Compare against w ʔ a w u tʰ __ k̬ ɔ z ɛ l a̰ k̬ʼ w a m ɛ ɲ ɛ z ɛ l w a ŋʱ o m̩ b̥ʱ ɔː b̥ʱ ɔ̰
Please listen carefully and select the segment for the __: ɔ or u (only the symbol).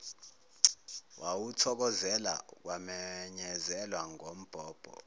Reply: ɔ